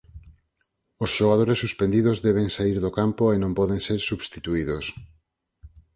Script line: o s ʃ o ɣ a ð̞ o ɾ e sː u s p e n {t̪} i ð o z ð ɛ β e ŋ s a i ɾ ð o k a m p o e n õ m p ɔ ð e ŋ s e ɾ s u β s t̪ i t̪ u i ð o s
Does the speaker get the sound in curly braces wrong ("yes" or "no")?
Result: yes